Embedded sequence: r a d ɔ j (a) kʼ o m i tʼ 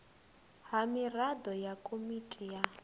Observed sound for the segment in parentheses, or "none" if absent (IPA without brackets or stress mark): a